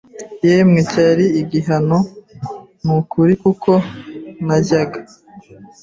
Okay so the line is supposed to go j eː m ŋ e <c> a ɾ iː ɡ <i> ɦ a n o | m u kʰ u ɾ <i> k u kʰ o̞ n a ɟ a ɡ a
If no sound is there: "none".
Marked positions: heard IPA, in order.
c, i, i

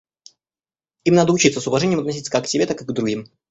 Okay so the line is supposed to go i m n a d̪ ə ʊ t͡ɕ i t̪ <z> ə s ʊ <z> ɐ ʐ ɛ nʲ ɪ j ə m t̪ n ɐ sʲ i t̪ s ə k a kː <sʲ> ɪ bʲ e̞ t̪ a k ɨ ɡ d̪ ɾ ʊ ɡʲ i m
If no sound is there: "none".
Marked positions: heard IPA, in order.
s, v, sʲ

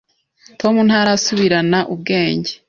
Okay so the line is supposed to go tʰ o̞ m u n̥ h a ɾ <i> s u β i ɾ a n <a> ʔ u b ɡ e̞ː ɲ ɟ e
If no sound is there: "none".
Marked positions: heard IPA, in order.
a, a

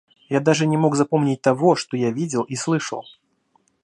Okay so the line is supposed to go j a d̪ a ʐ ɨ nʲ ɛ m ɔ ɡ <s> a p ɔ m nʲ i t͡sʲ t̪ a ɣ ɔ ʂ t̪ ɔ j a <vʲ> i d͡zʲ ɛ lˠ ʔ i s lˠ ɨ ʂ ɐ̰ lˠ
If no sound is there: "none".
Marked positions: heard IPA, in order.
z, vʲ

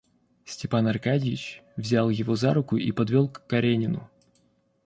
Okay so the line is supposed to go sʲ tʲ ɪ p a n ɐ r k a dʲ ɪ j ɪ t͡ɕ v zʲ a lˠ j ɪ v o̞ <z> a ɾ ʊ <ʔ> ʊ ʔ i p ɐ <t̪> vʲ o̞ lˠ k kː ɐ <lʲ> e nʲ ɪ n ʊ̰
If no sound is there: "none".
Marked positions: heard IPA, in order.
z, k, d̪, ɾʲ

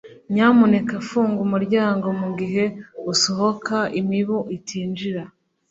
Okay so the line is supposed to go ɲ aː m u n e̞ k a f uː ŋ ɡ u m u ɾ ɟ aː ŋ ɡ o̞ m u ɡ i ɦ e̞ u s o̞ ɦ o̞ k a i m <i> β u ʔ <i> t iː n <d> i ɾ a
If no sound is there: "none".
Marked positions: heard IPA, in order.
i, i, d͡ʒ

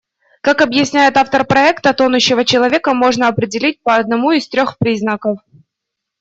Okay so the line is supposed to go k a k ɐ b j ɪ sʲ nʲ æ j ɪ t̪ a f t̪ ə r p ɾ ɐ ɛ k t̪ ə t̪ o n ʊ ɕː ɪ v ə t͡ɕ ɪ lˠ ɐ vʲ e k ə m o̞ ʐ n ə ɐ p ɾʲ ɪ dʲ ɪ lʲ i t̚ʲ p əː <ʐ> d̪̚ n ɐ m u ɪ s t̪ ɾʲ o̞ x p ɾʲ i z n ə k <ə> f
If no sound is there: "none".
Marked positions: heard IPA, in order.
none, ə

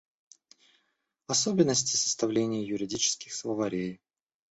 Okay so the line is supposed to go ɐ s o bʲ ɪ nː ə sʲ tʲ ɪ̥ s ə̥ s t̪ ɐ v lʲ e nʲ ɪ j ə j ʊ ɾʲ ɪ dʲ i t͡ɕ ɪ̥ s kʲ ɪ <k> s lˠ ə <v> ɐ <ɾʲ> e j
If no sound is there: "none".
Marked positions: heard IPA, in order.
x, v, ɾʲ

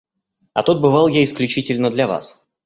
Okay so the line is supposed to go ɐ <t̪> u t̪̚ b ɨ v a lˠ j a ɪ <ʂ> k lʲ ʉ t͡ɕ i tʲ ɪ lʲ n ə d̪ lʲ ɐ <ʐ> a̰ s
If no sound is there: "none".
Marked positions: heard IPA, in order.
t̪, s, v

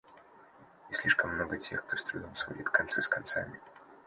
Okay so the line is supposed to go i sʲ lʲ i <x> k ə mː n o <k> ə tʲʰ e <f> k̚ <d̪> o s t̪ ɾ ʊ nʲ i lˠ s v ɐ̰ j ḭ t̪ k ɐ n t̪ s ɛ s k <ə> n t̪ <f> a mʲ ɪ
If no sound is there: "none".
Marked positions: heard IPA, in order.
ʂ, ɡ, x, t̪, ɐ, s

